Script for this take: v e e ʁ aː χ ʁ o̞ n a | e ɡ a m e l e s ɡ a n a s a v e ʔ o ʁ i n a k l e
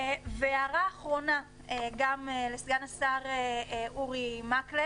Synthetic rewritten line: v e a ʁ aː χ ʁ o̞ n a | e ɡ a m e l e s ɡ a n a s a ʁ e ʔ u ʁ i m a k l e